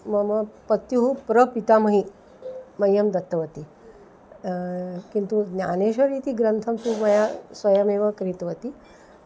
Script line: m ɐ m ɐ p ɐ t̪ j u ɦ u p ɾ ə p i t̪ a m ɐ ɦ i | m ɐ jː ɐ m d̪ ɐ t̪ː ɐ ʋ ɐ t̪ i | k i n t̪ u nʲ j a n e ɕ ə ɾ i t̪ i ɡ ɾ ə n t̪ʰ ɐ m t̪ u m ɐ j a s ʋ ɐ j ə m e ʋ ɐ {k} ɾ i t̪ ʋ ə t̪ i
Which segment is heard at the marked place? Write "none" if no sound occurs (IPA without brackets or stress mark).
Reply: k